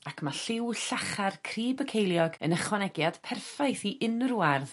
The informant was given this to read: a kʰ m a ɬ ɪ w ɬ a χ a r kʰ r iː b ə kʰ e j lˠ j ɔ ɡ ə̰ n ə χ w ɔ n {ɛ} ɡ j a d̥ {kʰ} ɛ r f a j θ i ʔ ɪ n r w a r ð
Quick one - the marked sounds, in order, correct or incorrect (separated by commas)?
correct, incorrect